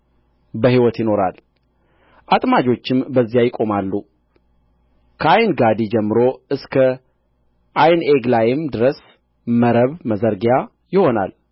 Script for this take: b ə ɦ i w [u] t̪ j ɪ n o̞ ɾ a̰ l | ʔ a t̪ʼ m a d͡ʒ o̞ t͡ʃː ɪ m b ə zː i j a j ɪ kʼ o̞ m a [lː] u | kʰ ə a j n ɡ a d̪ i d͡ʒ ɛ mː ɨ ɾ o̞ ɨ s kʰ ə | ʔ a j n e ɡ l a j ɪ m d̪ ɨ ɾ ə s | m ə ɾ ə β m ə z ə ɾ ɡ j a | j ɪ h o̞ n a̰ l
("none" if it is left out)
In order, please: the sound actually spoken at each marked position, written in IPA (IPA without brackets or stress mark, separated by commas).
ɔ, lː